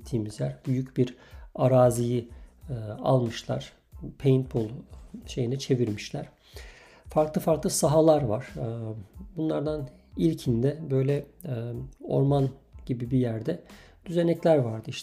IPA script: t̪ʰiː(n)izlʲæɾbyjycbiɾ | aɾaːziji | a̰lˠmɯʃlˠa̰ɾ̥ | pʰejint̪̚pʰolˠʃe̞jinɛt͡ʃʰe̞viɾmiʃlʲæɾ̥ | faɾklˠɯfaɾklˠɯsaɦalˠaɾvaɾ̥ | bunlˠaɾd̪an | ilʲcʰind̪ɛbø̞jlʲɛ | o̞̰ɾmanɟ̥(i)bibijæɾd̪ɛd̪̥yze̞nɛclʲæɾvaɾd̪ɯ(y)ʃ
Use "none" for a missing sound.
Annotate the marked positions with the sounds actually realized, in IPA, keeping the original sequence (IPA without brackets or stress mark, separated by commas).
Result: m, i, i